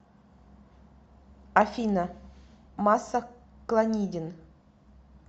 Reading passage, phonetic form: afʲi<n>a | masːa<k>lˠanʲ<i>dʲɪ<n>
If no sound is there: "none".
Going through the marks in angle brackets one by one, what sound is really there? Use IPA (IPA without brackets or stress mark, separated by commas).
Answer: n, k, i, n